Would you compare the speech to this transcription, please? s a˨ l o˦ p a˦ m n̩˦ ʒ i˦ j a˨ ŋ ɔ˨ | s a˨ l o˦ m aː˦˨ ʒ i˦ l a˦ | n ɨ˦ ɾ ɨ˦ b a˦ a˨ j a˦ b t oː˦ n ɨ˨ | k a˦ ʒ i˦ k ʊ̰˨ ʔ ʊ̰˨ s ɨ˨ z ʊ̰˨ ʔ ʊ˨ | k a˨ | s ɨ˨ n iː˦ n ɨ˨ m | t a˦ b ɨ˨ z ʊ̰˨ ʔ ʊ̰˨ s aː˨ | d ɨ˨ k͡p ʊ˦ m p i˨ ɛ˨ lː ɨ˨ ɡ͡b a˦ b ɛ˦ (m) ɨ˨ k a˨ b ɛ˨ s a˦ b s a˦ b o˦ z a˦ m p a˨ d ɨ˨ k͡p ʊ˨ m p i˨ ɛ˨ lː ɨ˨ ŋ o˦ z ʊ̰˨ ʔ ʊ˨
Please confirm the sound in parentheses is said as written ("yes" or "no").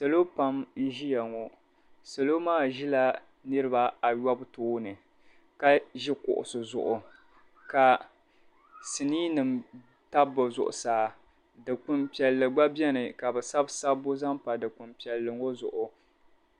no